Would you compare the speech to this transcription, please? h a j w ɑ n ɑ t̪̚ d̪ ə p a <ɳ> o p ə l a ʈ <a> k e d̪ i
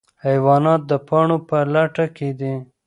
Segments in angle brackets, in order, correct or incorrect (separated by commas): correct, correct